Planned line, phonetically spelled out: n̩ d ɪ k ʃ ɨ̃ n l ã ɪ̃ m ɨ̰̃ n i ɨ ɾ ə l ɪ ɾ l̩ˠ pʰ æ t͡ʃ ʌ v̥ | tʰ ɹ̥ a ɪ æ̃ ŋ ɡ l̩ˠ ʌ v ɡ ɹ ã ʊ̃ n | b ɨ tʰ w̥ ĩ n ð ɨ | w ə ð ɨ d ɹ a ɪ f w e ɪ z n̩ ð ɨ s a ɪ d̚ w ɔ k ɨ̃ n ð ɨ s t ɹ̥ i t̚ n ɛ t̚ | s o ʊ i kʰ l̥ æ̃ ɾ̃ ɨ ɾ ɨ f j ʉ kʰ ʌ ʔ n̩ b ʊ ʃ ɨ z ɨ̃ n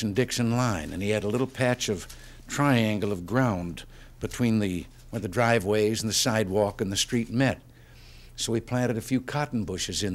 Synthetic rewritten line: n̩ d ɪ k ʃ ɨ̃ n l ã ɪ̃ n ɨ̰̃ n i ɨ ɾ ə l ɪ ɾ l̩ˠ pʰ æ t͡ʃ ʌ v̥ | tʰ ɹ̥ a ɪ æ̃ ŋ ɡ l̩ˠ ʌ v ɡ ɹ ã ʊ̃ n | b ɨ tʰ w̥ ĩ n ð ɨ | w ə ð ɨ d ɹ a ɪ v w e ɪ z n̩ ð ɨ s a ɪ d̚ w ɔ k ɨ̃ n ð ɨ s t ɹ̥ i t̚ m ɛ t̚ | s o ʊ i pʰ l̥ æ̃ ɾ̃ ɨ ɾ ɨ f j ʉ kʰ ɑ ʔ n̩ b ʊ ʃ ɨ z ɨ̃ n